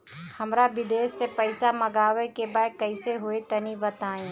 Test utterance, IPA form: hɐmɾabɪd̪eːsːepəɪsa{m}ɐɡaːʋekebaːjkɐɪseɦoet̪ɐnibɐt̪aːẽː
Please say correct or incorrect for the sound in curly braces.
correct